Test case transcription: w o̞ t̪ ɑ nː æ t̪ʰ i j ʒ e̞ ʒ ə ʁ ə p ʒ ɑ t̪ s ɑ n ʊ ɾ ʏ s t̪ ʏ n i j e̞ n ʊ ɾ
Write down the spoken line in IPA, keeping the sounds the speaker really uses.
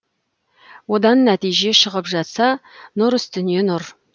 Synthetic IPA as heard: w o̞ d̪ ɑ nː æ t̪ i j ʒ e̞ ʃ ə ʁ ə p ʒ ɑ t̪ s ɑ n ʊ ɾ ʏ s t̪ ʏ n i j e̞ n ʊ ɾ